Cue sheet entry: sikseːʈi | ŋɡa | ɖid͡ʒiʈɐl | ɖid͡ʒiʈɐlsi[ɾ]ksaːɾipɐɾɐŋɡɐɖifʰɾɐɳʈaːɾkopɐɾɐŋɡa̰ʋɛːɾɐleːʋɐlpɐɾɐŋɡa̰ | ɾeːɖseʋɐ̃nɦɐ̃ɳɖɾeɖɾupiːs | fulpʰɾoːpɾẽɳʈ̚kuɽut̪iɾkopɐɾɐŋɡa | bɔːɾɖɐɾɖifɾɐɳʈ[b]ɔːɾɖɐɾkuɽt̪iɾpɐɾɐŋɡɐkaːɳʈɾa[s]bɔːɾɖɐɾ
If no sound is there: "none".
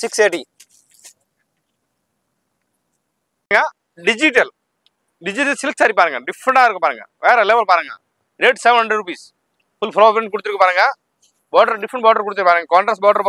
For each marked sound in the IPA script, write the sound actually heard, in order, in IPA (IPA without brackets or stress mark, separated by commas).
l, b, s